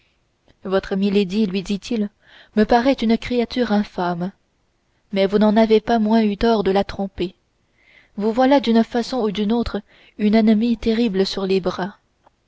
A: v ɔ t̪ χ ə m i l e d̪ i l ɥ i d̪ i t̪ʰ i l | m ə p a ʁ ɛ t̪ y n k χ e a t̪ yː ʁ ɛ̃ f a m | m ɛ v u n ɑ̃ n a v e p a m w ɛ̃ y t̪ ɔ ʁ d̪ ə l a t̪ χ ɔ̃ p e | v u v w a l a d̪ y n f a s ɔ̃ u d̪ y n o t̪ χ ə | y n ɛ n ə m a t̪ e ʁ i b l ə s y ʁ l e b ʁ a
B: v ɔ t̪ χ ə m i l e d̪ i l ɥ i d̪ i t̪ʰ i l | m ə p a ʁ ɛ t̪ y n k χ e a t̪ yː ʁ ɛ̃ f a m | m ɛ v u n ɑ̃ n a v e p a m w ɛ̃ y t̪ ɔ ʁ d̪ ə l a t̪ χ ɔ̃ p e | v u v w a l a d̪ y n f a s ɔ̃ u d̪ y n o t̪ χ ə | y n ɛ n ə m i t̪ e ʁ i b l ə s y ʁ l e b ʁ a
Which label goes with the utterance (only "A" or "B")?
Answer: B